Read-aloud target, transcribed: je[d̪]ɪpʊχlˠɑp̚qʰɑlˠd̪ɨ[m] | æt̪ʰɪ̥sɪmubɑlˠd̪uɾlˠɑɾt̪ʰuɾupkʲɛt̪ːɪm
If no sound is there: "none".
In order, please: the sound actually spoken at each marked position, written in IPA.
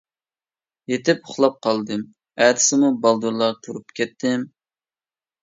t̪, m

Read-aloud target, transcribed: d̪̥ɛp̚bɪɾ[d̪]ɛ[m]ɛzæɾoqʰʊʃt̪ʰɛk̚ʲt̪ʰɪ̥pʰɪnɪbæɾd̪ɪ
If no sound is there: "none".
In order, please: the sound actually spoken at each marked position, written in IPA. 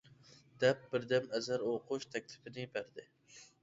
d̪, m

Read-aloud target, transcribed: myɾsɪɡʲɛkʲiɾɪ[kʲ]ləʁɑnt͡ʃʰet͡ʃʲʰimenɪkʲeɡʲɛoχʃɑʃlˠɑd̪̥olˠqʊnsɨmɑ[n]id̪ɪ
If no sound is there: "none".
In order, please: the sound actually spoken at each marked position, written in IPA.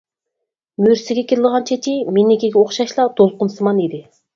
none, n

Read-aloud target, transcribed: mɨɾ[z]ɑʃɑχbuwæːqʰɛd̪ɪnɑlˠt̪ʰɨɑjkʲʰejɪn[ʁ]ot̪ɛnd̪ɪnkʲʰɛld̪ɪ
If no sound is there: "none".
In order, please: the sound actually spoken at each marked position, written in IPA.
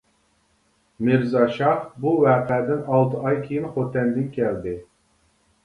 z, χ

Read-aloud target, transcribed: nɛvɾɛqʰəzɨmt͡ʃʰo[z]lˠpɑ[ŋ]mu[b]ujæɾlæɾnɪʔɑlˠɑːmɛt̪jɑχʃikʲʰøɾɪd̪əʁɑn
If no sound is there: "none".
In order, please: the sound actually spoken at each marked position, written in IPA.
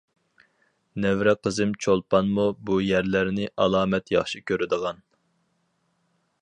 none, n, b

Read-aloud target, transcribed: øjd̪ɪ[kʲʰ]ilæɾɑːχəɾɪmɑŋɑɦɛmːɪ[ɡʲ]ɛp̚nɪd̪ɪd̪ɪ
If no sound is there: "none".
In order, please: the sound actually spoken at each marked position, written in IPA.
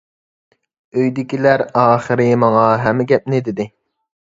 kʲ, ɡʲ

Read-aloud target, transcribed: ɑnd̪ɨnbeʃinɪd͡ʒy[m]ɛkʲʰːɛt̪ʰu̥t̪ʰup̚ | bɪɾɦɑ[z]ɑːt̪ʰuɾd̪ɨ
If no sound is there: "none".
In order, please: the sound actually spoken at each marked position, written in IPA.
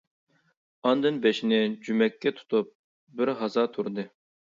m, z

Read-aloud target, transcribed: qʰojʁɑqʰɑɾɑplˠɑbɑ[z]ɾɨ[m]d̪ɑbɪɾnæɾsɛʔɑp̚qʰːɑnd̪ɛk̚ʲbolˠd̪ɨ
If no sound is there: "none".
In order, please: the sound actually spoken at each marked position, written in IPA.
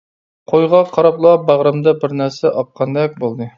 ʁ, m

